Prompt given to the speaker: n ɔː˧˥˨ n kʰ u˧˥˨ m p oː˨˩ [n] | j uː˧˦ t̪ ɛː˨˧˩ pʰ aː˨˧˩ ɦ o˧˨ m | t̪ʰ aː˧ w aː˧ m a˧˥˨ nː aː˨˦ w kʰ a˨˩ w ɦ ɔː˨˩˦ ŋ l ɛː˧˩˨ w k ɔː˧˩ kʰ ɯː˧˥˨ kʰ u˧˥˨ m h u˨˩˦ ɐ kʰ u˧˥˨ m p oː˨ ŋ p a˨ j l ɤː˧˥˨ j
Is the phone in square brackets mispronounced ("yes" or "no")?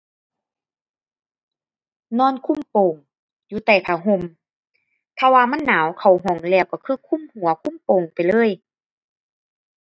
yes